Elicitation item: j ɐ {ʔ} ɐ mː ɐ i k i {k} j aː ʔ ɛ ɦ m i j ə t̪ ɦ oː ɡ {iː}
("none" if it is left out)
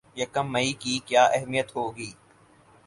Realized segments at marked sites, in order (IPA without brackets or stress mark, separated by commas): k, k, iː